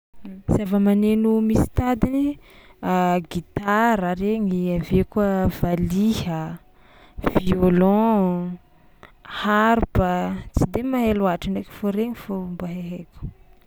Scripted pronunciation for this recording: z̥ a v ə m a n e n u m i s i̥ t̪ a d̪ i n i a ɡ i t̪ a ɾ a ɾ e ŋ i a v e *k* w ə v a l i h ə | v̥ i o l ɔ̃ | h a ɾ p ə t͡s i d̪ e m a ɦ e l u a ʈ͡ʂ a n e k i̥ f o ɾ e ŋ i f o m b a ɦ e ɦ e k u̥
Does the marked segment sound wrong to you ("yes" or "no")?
no